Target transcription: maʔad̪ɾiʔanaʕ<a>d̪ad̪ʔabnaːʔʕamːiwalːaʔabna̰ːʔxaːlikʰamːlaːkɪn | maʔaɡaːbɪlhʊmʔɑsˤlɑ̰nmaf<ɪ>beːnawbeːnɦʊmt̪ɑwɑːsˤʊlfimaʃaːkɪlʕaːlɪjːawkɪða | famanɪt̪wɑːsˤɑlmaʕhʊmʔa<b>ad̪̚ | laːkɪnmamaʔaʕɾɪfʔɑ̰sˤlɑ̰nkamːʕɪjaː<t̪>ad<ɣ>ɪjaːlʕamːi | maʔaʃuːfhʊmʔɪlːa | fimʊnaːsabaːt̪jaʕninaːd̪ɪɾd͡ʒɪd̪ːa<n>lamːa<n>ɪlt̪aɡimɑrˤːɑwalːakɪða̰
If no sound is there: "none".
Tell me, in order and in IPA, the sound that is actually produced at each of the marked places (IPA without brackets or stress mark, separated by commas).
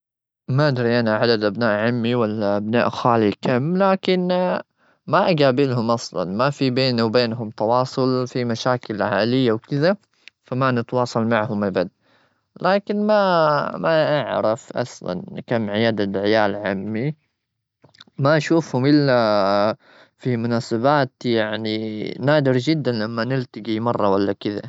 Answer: a, i, b, d̪, ʕ, n, n